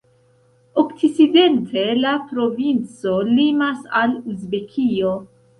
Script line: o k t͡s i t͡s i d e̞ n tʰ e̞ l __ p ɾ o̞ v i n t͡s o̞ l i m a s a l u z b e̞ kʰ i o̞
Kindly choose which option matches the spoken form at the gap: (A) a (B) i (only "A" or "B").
A